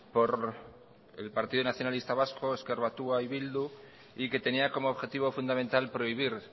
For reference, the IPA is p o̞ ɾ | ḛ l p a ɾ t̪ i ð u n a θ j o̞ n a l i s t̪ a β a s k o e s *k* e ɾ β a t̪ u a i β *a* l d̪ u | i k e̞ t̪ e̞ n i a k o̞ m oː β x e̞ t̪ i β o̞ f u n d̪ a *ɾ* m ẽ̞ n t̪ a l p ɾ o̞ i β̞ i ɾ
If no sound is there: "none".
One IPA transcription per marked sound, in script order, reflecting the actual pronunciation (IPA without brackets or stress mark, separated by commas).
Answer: k, i, none